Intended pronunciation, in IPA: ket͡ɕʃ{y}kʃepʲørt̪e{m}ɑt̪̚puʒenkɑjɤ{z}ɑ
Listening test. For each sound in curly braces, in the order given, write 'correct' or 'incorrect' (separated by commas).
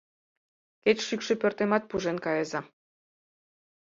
correct, correct, correct